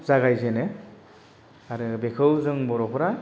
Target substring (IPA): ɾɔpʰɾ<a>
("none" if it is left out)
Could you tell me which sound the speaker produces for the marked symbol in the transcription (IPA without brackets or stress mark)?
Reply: a